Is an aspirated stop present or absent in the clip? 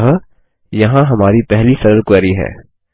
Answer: absent